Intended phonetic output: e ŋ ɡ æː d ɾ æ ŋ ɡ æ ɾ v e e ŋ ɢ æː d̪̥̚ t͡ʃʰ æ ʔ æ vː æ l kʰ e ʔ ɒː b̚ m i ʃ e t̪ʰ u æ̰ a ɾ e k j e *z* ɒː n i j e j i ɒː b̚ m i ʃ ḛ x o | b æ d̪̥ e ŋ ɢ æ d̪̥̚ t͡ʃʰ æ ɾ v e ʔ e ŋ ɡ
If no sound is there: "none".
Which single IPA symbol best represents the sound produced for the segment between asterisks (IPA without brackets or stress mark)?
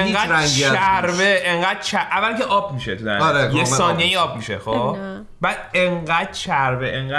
s